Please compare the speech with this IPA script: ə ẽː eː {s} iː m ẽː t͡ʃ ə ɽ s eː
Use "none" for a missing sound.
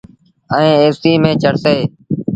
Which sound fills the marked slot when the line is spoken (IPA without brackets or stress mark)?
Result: s